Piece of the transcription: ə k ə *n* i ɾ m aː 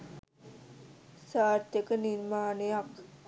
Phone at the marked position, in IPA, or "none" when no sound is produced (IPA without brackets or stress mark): n